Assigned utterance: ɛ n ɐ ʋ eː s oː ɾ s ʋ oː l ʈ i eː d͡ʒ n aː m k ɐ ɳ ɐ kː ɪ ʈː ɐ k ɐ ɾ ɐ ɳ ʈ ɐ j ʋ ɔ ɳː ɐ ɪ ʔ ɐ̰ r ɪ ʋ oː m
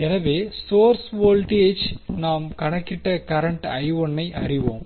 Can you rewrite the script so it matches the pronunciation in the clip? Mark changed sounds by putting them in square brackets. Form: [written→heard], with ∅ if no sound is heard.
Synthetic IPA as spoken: ɛ n ɐ ʋ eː s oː ɾ s ʋ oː l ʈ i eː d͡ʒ n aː m k ɐ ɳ ɐ kː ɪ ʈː ɐ k ɐ ɾ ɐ ɳ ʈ ɐ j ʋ ɔ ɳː ɐ ɪ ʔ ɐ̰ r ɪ ʋ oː m

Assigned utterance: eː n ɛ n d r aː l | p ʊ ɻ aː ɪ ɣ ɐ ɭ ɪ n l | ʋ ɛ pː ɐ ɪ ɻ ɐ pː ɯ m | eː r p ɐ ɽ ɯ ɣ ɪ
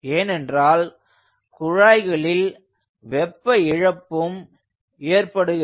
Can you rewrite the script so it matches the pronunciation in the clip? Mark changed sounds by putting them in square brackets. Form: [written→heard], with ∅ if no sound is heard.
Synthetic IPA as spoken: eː n ɛ n d r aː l | [p→k] ʊ ɻ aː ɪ ɣ ɐ ɭ ɪ [n→∅] l | ʋ ɛ pː ɐ ɪ ɻ ɐ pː ɯ m | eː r p ɐ ɽ ɯ ɣ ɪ

